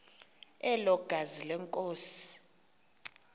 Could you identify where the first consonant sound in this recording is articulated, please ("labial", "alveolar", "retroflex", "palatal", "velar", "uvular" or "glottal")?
alveolar